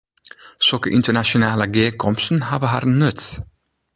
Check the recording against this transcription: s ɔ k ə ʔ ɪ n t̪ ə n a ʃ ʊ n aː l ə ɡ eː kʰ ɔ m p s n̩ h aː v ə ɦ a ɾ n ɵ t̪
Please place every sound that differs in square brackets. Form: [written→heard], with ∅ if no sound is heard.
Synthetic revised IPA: s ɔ k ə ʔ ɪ n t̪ ə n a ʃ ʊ n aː l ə ɡ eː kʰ ɔ m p s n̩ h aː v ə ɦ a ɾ n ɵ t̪